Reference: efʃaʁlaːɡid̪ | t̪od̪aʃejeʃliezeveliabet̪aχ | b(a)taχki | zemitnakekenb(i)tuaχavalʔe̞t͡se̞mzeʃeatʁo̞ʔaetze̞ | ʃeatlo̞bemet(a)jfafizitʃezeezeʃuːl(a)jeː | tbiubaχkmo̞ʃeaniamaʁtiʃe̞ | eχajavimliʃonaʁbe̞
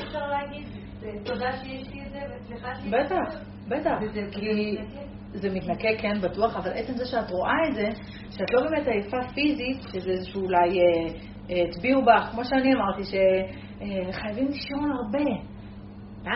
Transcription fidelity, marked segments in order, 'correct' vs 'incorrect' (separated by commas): incorrect, incorrect, correct, correct